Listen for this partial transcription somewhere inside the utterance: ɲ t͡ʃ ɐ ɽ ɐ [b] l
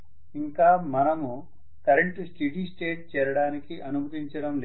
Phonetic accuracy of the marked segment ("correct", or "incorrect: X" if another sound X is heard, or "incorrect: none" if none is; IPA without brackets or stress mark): incorrect: m